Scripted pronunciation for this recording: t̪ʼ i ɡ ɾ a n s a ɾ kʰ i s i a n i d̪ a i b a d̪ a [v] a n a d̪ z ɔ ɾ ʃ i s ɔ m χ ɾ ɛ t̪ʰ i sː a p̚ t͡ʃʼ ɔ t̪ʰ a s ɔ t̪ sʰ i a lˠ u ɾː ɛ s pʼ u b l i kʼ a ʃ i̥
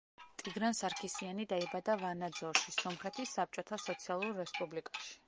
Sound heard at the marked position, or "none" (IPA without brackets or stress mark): v